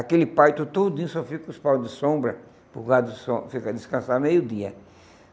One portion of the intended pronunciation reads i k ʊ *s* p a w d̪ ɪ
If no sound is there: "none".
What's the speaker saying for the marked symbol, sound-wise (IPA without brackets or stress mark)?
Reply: s